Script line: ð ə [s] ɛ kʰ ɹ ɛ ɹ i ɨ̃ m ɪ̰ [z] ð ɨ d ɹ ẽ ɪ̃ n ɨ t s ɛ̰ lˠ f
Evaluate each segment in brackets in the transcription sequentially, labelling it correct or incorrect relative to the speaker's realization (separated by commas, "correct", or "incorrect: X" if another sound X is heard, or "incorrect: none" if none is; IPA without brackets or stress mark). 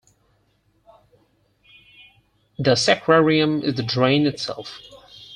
correct, correct